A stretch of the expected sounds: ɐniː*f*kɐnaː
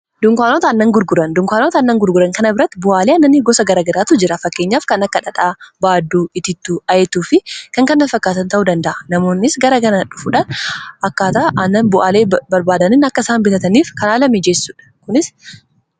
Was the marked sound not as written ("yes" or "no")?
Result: no